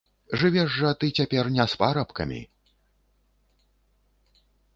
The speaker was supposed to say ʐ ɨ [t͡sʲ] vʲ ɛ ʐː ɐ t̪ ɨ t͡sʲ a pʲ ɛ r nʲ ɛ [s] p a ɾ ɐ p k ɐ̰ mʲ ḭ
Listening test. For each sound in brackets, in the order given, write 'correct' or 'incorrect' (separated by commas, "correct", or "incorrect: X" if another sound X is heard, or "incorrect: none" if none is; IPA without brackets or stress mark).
incorrect: none, correct